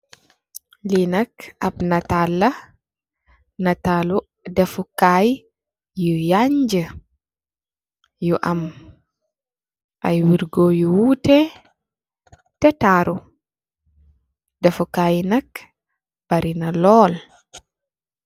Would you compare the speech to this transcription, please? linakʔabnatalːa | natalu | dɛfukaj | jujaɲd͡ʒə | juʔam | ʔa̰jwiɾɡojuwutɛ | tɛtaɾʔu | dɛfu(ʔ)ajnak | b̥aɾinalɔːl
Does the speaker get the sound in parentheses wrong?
yes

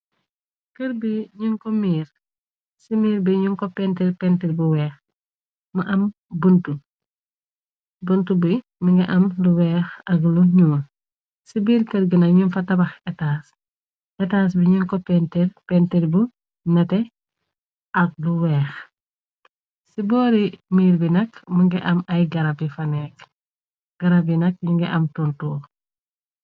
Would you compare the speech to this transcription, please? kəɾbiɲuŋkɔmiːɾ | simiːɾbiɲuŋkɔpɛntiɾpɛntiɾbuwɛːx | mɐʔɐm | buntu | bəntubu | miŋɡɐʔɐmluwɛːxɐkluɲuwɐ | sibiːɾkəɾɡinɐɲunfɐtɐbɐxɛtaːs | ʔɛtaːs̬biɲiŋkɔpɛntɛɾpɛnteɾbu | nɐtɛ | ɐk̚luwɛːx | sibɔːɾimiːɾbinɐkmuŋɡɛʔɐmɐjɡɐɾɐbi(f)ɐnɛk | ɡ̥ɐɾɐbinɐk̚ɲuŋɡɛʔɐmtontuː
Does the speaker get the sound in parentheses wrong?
no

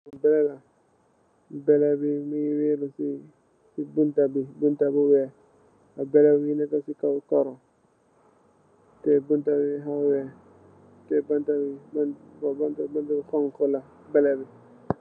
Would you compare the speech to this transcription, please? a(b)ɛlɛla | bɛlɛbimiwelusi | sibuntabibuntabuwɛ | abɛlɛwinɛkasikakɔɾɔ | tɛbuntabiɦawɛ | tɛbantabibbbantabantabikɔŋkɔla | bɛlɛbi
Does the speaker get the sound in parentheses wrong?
no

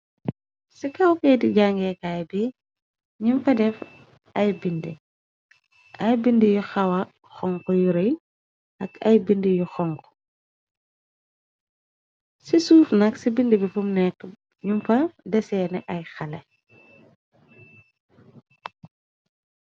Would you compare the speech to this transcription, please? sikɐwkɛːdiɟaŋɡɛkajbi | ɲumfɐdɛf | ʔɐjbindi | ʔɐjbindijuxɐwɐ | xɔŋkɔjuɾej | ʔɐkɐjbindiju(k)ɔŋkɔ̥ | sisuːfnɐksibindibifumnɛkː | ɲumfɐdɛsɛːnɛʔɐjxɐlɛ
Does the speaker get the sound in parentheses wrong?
yes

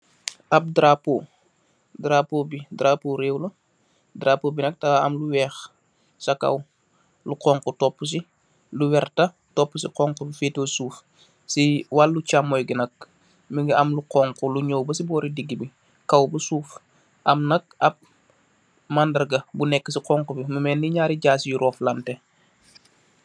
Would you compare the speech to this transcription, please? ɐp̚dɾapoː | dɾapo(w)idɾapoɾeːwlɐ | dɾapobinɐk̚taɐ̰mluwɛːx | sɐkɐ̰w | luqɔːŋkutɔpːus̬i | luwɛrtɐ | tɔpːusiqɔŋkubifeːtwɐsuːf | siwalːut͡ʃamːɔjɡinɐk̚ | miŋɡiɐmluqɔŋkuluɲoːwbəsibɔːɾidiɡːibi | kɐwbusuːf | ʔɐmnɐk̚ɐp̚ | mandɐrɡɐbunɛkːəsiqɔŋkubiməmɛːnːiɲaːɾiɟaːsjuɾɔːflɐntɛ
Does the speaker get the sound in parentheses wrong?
yes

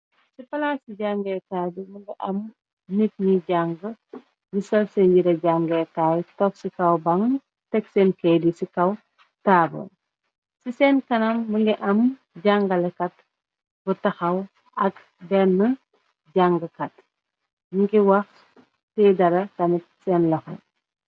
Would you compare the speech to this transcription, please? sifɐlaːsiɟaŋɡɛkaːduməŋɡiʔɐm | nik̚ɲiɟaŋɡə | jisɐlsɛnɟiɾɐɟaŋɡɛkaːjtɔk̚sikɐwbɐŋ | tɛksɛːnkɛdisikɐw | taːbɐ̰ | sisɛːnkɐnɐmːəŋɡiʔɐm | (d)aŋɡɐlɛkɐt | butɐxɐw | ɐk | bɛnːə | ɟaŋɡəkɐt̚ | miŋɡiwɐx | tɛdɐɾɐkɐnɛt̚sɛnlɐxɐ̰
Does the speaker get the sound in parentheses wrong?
yes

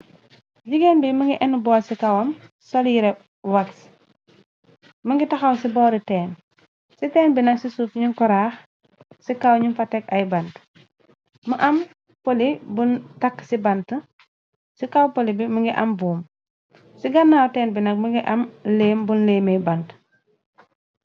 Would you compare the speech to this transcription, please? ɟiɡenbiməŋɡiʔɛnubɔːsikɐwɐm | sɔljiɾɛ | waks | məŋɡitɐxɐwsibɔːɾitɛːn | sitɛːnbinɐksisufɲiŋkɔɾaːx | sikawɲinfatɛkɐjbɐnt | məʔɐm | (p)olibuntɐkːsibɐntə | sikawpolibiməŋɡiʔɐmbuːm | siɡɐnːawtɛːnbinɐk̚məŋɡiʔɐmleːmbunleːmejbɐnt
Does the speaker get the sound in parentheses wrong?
no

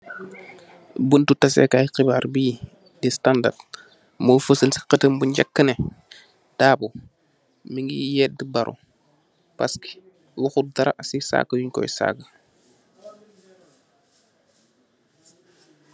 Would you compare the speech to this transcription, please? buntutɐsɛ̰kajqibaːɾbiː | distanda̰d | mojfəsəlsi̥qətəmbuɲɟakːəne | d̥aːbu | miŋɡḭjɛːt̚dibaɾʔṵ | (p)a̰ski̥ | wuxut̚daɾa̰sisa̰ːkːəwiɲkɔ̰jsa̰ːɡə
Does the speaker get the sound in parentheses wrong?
no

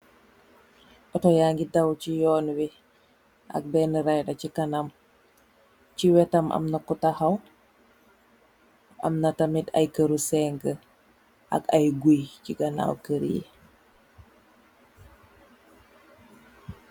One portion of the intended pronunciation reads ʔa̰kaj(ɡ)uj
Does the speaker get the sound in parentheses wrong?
no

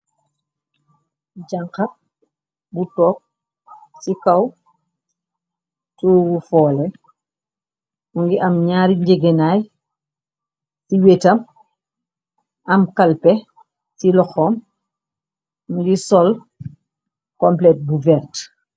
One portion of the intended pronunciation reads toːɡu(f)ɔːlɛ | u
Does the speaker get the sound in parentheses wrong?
no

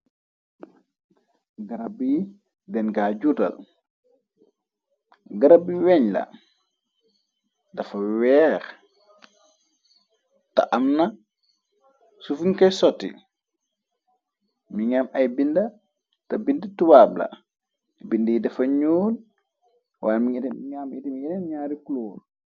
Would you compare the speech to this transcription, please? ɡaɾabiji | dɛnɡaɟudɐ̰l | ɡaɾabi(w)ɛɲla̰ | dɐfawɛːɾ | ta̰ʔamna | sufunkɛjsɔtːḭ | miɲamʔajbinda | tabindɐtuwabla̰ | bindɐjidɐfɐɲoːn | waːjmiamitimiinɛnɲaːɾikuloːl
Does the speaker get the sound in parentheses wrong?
no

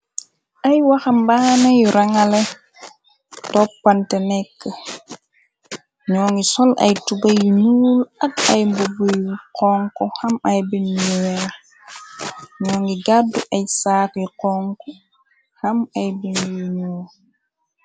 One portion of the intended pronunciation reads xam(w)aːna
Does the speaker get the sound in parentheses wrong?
yes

